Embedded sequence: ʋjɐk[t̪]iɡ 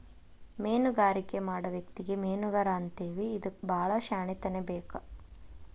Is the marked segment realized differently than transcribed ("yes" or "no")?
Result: no